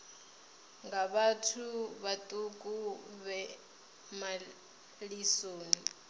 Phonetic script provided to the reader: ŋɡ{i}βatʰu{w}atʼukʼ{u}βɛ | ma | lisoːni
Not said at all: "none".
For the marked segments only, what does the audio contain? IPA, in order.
a, β, u

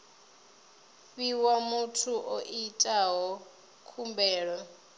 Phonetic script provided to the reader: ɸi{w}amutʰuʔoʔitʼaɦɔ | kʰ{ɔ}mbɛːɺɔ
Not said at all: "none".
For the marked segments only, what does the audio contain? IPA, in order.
w, u

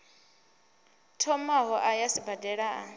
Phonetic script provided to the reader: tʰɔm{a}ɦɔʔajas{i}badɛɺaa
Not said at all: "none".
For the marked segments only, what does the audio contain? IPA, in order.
a, i

